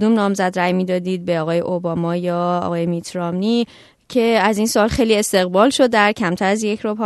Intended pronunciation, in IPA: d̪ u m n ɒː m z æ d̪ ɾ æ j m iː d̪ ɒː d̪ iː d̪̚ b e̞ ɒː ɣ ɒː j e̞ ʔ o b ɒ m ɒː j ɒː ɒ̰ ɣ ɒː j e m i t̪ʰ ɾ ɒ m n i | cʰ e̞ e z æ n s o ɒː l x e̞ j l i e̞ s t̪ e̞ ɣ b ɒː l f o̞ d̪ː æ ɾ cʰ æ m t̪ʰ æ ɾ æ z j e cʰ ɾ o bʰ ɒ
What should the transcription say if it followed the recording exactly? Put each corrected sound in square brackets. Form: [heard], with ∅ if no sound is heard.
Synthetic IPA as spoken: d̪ u m n ɒː m z æ d̪ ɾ æ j m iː d̪ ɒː d̪ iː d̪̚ b e̞ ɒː ɣ ɒː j e̞ ʔ o b ɒ m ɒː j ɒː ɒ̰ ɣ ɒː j e m i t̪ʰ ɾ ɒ m n i | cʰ e̞ [æ] z [i] n s o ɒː l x e̞ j l i e̞ s t̪ e̞ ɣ b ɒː l [ʃ] o̞ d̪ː æ ɾ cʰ æ m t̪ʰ æ ɾ æ z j e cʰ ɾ o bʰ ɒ